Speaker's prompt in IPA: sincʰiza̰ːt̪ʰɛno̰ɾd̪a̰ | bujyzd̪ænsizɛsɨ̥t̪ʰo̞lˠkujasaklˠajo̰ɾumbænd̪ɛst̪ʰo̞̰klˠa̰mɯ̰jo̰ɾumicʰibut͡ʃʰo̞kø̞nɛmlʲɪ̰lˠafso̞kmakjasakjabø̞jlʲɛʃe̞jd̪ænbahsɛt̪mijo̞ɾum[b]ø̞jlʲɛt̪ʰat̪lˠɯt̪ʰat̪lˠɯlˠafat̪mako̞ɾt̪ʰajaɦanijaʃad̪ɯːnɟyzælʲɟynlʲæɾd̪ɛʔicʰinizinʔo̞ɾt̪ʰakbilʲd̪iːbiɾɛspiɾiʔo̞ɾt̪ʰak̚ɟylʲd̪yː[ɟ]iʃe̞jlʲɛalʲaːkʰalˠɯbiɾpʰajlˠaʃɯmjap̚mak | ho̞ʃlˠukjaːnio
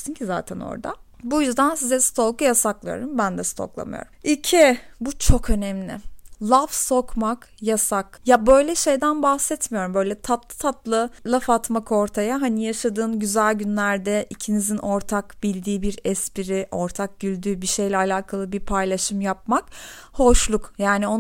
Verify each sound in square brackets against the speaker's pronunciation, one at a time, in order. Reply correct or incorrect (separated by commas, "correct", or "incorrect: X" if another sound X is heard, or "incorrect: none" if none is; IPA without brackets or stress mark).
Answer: correct, incorrect: b